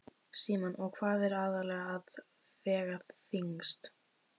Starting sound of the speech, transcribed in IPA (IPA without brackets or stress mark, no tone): s